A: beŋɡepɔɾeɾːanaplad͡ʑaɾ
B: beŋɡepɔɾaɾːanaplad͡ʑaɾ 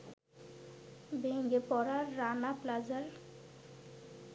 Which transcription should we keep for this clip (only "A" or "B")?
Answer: B